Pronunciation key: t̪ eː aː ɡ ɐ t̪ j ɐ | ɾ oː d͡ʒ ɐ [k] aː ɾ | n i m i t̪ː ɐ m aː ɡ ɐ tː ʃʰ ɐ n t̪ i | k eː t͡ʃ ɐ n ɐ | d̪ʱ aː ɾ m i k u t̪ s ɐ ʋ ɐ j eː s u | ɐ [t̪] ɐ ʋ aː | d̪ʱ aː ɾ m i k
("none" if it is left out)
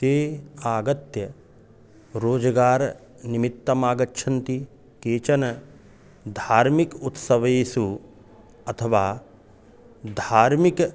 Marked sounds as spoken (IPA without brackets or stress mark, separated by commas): ɡ, t̪ʰ